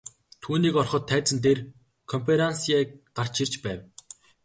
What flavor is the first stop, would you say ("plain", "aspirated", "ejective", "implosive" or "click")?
aspirated